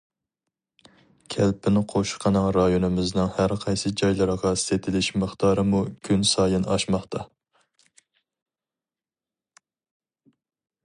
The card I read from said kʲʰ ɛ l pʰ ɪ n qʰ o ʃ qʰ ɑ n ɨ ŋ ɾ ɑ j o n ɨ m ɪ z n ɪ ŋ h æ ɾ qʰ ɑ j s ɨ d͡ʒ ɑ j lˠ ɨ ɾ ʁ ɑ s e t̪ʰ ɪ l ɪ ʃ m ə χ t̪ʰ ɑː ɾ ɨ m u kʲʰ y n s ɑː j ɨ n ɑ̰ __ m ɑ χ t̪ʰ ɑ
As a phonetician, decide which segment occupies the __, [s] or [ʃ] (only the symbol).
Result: ʃ